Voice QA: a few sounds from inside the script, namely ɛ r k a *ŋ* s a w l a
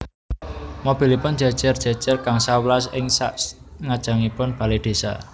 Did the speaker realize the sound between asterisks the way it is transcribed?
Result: yes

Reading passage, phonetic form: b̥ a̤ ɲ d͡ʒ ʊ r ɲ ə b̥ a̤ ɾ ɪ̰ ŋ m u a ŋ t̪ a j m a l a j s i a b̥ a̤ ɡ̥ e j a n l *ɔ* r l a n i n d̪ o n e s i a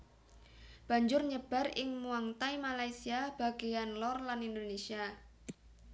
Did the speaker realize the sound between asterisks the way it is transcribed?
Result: yes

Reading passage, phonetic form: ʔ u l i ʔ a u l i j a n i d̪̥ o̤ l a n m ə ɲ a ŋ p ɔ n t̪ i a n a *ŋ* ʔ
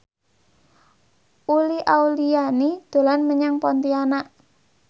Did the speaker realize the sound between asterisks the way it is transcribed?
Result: no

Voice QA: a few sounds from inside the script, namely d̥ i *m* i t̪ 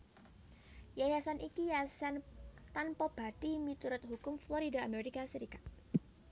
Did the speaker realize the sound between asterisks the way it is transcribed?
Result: yes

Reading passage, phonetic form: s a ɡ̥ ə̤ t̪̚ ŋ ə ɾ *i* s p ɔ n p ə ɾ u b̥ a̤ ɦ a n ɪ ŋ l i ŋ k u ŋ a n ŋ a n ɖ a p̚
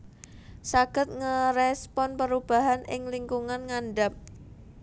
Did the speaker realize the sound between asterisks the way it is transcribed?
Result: no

